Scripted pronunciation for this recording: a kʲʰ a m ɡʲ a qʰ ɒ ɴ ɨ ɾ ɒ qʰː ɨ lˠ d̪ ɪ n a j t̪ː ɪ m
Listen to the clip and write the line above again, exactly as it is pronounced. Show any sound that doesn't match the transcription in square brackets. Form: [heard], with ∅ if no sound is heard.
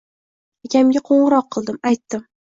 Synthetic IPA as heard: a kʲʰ a m ɡʲ a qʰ [o] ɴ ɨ ɾ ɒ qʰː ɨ lˠ d̪ ɪ [m] a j t̪ː ɪ m